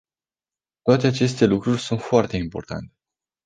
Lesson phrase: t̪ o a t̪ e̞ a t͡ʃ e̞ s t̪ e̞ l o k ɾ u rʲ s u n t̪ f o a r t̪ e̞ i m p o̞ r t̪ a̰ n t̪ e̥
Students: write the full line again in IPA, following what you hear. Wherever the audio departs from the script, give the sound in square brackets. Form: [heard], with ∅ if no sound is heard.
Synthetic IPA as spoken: t̪ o a t̪ e̞ a t͡ʃ e̞ s t̪ e̞ l [u] k ɾ u rʲ s u n t̪ f o a r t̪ e̞ i m p o̞ r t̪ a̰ n t̪ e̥

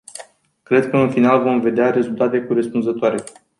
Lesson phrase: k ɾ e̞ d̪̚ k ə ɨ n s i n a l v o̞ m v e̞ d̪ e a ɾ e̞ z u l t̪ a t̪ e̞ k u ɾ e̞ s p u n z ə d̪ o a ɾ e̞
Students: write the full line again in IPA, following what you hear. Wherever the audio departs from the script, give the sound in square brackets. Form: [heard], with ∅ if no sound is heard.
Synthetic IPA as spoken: k ɾ e̞ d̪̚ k ə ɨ n [f] i n a l v o̞ m v e̞ d̪ e a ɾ e̞ z u l t̪ a t̪ e̞ k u ɾ e̞ s p u n z ə [t̪] o a ɾ e̞

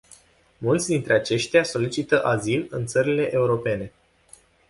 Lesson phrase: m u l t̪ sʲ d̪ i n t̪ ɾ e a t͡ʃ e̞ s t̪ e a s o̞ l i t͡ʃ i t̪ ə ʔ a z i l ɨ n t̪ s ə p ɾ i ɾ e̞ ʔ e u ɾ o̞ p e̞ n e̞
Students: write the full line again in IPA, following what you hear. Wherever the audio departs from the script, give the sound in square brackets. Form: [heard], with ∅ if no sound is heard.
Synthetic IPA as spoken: m u l t̪ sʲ d̪ i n t̪ ɾ e a t͡ʃ e̞ [ʃ] t̪ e a s o̞ l i t͡ʃ i t̪ ə ʔ a z i l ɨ n t̪ s ə [∅] ɾ i [l] e̞ ʔ e u ɾ o̞ p e̞ n e̞

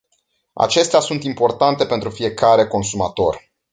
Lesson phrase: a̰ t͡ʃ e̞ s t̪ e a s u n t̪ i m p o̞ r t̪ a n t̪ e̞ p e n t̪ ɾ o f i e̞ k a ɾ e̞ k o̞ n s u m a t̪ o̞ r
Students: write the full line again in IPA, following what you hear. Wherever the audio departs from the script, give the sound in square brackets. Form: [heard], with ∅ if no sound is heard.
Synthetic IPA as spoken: a̰ t͡ʃ e̞ s t̪ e a s u n t̪ i m p o̞ r t̪ a n t̪ e̞ p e n t̪ ɾ [u] f i e̞ k a ɾ e̞ k o̞ n s u m a t̪ o̞ r

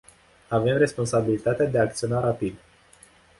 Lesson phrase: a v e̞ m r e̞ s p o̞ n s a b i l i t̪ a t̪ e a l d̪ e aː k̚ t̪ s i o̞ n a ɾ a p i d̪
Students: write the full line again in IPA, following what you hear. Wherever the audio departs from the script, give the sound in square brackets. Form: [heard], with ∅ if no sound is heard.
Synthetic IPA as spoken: a v e̞ m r e̞ s p o̞ n s a b i l i t̪ a t̪ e a [∅] d̪ e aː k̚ t̪ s i o̞ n a ɾ a p i d̪

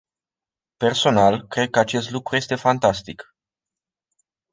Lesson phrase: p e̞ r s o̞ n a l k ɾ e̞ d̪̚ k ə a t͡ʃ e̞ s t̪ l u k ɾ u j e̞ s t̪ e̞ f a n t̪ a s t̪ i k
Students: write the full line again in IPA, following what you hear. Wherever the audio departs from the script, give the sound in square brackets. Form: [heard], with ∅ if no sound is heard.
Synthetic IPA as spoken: p e̞ r s o̞ n a l k ɾ e̞ d̪̚ k ə a t͡ʃ e̞ s t̪ l u k ɾ u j e̞ s t̪ e̞ f a n t̪ a s t̪ i k

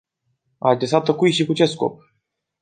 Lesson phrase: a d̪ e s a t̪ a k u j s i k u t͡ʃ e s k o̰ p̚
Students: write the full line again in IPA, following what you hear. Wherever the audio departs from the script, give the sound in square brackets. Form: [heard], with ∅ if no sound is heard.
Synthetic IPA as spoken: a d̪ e s a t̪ [ə] k u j [ʃ] i k u t͡ʃ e s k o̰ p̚

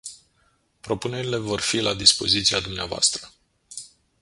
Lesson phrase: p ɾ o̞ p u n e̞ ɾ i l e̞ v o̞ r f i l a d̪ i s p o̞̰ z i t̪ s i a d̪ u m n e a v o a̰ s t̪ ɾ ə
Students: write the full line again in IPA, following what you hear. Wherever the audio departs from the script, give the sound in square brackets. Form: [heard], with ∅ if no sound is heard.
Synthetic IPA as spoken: p ɾ o̞ p u n e̞ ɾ i l e̞ v o̞ r f i l a d̪ i s p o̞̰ z i t̪ s i a d̪ u m n e a v o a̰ s t̪ ɾ ə

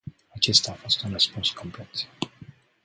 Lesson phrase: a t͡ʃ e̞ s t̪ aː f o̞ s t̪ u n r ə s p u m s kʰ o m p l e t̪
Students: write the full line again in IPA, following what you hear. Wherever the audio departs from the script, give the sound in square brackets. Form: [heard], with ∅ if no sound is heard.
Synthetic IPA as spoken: a t͡ʃ e̞ s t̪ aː f o̞ s t̪ u n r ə s p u [n] s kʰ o m p l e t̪

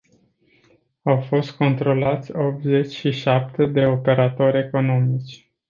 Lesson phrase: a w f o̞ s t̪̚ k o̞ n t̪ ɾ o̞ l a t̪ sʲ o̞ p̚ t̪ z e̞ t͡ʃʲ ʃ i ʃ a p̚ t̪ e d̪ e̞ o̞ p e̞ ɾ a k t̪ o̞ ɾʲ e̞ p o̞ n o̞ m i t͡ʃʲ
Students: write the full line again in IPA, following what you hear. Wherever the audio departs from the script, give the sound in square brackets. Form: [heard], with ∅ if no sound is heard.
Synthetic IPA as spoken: a w f o̞ s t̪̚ k o̞ n t̪ ɾ o̞ l a t̪ sʲ o̞ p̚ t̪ z e̞ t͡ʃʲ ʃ i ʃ a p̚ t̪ e d̪ e̞ o̞ p e̞ ɾ a [∅] t̪ o̞ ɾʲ e̞ [k] o̞ n o̞ m i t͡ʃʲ

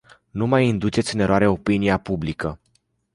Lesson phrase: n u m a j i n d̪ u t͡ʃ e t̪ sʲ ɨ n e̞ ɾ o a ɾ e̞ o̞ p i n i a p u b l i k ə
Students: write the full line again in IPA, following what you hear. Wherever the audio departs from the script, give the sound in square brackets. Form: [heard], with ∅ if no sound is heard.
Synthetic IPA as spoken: n u m a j i n d̪ u t͡ʃ e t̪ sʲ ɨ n e̞ ɾ o a ɾ e̞ o̞ p i n i a p u b l i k ə

